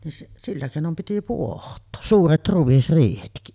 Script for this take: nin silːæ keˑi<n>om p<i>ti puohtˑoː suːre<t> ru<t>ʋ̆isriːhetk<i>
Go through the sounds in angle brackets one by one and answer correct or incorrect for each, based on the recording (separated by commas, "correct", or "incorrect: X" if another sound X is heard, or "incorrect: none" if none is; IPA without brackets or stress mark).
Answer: correct, correct, correct, incorrect: none, correct